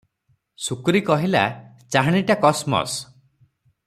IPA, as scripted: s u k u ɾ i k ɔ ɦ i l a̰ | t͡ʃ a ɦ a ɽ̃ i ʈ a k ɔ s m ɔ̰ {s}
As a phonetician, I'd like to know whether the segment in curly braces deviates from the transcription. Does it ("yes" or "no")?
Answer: no